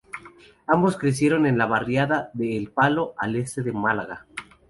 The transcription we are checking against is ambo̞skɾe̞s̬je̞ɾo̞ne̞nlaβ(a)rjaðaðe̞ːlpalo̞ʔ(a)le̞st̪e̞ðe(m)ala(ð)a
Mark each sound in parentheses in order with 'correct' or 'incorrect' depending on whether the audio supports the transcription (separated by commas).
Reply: correct, correct, correct, incorrect